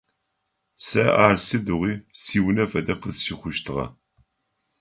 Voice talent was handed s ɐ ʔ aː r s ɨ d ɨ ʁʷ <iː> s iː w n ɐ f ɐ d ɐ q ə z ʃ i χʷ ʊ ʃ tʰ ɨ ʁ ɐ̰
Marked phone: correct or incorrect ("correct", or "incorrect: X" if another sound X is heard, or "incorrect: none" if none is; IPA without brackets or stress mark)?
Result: correct